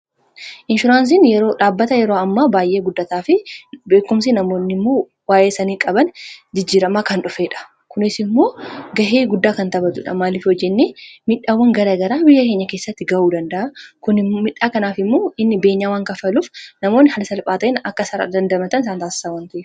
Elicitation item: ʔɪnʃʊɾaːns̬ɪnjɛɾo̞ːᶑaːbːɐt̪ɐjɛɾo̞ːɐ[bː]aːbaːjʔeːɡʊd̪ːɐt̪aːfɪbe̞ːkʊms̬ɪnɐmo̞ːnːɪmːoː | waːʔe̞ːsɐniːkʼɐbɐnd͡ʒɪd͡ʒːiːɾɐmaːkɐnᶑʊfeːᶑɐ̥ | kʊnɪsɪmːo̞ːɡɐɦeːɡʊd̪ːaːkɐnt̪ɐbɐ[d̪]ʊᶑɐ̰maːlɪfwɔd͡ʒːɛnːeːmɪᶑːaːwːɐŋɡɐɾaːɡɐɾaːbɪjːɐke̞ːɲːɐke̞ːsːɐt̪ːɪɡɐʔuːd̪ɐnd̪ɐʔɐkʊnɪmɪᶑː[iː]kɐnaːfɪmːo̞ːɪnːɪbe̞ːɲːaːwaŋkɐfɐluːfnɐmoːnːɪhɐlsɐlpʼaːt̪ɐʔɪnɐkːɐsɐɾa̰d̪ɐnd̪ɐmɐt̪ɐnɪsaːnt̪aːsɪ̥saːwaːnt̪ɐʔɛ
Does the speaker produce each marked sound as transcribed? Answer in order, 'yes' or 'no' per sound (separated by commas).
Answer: no, no, no